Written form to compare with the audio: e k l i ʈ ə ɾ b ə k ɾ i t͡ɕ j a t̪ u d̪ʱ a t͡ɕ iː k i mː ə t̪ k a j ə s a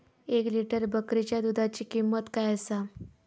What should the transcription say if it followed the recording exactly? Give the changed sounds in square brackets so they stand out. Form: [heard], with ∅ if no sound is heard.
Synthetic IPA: e k l i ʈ ə ɾ b ə k ɾ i t͡ɕ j a [d̪] u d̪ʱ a t͡ɕ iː k i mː ə t̪ k a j ə s a